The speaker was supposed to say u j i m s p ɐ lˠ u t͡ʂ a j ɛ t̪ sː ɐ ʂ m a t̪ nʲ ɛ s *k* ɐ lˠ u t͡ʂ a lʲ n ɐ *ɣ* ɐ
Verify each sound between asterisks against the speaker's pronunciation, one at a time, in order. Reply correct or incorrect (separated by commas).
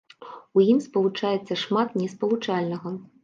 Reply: incorrect, correct